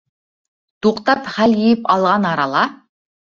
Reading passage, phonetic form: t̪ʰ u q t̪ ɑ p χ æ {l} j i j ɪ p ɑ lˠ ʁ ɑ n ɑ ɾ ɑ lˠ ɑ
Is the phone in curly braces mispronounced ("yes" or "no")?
no